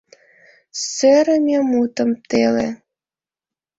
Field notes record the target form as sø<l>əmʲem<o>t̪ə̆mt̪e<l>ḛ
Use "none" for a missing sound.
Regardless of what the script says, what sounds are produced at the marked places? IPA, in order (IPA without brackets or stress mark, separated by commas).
ɾ, u, l